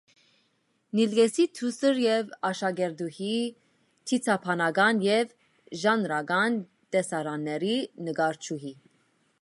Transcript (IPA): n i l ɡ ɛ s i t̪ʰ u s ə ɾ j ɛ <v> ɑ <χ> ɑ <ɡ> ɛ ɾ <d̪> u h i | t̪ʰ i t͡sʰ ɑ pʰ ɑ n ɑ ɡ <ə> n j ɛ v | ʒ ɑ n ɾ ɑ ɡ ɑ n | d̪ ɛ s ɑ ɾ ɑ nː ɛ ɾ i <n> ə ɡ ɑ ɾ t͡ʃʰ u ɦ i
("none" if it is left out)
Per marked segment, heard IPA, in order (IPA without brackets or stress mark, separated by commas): v, ʃ, ɡ, d̪, ɑ, n